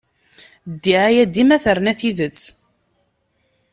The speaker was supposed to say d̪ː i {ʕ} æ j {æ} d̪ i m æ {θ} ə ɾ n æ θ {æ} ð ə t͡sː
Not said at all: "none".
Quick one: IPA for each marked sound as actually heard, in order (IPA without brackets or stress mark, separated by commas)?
ʕ, æ, θ, i